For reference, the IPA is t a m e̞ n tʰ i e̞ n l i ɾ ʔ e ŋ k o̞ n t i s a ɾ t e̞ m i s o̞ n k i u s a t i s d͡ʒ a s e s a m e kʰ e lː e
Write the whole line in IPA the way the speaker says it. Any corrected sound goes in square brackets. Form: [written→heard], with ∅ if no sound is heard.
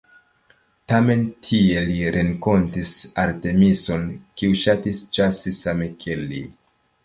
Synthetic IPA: t a m e̞ n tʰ i e̞ [n→∅] l i ɾ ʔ e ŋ k o̞ n t i s a ɾ t e̞ m i s o̞ n k i u [s→ʃ] a t i s d͡ʒ a s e s a m e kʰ e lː [e→i]